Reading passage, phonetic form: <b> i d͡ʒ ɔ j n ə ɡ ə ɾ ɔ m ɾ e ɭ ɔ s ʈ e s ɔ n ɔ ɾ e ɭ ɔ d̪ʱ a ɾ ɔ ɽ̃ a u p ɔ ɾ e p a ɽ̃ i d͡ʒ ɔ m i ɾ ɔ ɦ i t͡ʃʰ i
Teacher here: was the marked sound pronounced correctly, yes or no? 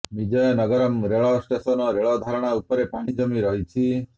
no